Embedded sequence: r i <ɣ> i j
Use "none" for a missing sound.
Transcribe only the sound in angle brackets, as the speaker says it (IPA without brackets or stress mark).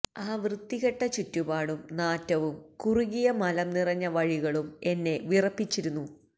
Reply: ɣ